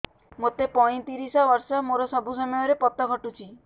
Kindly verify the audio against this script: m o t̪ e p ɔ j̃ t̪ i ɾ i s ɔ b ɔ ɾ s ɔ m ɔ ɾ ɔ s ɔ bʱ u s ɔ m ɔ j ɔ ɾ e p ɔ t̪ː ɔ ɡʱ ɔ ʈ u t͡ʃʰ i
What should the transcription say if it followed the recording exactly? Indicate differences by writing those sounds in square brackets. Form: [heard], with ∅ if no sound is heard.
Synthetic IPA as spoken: m o t̪ e p ɔ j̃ t̪ i ɾ i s ɔ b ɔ ɾ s ɔ m [o] ɾ ɔ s ɔ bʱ u s ɔ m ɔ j ɔ ɾ e p ɔ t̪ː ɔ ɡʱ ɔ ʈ u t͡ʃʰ i